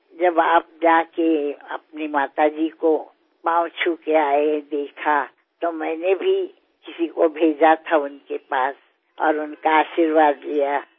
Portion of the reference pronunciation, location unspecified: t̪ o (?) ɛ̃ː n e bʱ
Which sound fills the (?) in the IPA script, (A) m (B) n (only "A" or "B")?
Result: A